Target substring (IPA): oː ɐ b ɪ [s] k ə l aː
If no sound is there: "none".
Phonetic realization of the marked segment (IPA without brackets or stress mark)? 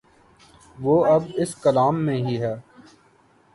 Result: s